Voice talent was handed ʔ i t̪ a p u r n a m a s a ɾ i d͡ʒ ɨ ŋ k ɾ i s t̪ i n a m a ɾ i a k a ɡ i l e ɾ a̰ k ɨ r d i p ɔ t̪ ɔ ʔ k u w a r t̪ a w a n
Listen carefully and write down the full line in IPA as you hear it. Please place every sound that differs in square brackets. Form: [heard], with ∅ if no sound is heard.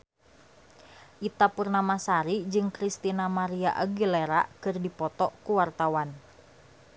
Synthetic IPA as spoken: ʔ i t̪ a p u r n a m a s a ɾ i d͡ʒ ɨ ŋ k ɾ i s t̪ i n a m a ɾ i a [ʔ] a ɡ i l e ɾ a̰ k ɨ r d i p ɔ t̪ ɔ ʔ k u w a r t̪ a w a n